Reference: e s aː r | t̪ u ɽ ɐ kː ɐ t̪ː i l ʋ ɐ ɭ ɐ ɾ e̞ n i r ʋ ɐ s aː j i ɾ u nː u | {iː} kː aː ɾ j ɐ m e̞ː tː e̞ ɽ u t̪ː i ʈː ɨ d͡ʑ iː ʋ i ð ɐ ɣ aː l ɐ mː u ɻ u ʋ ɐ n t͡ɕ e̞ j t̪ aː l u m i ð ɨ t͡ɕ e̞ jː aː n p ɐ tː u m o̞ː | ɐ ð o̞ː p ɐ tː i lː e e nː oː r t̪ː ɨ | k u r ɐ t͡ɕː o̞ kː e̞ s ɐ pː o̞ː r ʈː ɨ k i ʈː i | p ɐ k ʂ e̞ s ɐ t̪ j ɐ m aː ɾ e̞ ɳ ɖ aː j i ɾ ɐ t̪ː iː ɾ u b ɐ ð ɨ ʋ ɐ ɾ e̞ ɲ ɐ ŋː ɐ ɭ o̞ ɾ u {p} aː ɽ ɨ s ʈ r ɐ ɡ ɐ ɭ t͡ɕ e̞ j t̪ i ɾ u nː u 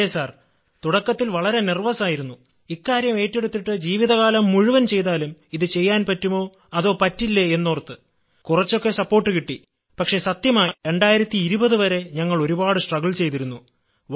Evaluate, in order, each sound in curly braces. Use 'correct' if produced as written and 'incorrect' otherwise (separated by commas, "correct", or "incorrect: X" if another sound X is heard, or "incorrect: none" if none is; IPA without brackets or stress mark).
incorrect: i, incorrect: b